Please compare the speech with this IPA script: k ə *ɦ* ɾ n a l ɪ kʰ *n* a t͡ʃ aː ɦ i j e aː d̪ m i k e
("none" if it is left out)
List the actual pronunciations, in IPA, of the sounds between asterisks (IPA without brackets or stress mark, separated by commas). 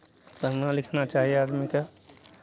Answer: none, n